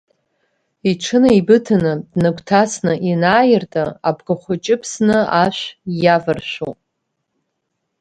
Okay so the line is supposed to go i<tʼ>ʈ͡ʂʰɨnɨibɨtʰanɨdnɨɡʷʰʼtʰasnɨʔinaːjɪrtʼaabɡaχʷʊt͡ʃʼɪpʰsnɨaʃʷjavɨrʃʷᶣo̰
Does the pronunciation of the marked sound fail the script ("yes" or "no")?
yes